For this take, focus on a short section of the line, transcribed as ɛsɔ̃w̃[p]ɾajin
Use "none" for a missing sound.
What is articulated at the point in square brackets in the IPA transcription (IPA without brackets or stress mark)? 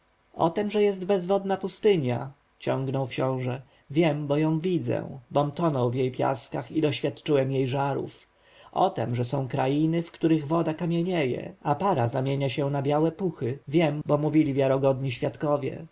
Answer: k